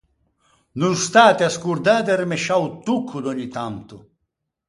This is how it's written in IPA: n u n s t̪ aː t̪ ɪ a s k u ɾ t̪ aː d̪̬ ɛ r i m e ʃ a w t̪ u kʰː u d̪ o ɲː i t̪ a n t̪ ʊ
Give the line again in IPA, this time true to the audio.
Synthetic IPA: n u n s t̪ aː t̪ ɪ a s k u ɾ d̪ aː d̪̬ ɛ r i m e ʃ a w t̪ u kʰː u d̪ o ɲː i t̪ a n t̪ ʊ